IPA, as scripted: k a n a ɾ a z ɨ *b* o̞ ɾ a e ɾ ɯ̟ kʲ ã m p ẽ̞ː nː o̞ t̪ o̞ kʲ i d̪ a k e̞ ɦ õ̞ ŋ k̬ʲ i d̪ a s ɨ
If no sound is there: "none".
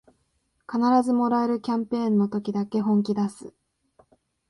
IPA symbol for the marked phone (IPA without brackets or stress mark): m